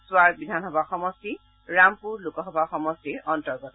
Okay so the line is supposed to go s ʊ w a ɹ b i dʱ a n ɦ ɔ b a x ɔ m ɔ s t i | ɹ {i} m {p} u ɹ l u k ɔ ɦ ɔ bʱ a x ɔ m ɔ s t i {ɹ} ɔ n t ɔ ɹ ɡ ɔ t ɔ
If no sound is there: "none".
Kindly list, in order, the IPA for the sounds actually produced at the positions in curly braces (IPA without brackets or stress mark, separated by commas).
a, p, ɹ